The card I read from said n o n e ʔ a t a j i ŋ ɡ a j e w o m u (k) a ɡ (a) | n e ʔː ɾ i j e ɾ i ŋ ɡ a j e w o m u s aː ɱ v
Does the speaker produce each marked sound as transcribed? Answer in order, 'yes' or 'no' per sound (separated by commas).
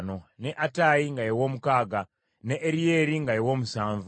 yes, yes